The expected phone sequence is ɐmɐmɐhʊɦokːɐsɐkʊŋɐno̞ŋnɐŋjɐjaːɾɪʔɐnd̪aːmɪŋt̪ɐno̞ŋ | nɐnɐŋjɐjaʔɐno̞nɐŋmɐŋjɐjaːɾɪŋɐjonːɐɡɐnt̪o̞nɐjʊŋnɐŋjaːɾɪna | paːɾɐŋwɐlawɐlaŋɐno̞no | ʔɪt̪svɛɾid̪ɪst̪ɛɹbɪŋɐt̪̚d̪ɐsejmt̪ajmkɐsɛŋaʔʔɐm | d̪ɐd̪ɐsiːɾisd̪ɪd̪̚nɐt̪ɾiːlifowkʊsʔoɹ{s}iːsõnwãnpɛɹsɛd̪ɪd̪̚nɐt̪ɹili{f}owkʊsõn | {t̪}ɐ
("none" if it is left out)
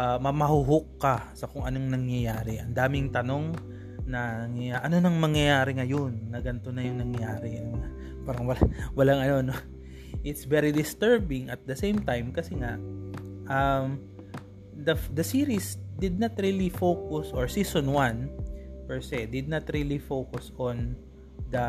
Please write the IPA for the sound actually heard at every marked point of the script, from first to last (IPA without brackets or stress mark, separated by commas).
s, f, d̪